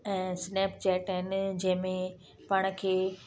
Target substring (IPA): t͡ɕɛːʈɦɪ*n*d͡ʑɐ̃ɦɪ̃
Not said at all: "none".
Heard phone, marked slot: n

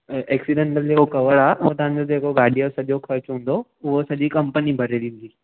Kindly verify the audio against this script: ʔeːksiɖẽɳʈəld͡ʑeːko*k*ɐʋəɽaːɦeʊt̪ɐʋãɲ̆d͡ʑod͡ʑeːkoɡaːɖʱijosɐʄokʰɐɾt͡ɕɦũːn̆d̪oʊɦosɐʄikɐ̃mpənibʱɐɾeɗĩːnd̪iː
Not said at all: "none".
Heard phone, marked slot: k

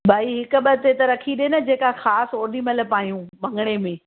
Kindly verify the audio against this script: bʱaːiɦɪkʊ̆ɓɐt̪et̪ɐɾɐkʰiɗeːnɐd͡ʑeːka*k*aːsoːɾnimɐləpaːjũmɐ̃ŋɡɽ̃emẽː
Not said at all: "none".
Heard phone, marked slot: x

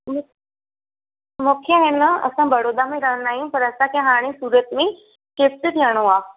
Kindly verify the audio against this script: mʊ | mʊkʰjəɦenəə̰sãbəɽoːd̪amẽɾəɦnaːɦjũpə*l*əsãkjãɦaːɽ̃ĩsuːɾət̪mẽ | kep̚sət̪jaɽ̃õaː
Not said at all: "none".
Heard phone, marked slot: ɾ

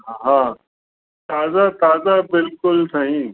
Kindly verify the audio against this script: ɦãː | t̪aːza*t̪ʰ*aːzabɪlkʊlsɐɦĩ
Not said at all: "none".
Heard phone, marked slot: t̪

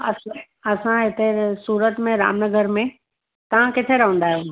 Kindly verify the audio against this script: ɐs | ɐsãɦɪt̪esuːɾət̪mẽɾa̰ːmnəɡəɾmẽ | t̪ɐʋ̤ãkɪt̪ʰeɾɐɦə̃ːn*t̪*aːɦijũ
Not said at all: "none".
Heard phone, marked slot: d̪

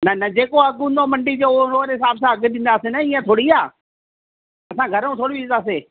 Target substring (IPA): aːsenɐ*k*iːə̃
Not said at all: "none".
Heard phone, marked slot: none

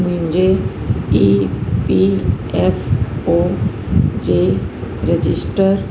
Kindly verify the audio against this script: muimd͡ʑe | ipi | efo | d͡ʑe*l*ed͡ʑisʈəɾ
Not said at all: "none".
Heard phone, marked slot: ɾ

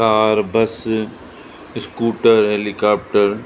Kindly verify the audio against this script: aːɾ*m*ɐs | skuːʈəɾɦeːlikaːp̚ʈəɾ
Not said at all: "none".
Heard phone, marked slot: b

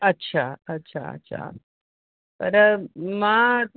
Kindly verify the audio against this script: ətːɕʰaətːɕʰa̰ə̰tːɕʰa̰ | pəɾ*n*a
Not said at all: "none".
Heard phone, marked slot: m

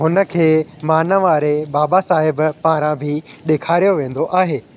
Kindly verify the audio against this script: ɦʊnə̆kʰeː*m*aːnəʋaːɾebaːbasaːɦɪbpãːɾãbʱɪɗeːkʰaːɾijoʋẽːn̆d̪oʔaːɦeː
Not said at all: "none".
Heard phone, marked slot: m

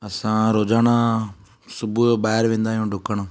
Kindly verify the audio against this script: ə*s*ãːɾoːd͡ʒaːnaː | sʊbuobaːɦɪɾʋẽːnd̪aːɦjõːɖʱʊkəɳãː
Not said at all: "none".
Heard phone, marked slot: s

